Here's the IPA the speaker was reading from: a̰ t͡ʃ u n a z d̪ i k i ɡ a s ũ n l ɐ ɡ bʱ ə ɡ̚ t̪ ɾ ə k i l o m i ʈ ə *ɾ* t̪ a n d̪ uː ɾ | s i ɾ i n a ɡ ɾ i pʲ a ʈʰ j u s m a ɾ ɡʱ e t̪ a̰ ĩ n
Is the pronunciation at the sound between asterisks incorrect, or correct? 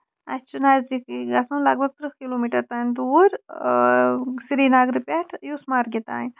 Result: correct